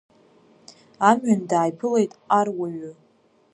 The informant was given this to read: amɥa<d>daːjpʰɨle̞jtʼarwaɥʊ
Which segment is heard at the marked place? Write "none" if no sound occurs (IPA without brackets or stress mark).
n